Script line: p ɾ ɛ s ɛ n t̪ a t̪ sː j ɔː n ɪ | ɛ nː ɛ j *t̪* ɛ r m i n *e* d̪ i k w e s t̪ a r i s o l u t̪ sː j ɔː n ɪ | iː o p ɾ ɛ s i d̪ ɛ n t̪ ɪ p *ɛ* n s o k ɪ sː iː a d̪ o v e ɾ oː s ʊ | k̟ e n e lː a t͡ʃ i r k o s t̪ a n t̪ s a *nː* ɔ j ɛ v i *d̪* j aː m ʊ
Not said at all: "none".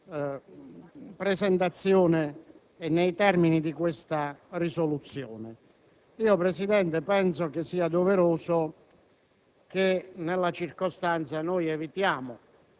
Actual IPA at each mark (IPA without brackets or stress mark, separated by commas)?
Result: t̪, i, ɛ, n, t̪